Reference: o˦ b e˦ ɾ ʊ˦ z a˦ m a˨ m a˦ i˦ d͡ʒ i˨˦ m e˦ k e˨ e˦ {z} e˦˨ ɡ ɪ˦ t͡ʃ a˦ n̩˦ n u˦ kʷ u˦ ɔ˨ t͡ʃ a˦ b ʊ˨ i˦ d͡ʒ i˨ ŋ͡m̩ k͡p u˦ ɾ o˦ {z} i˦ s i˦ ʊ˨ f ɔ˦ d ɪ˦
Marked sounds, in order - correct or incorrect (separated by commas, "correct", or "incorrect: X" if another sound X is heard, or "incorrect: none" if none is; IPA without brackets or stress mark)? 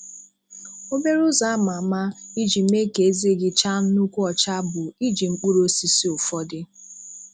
correct, incorrect: s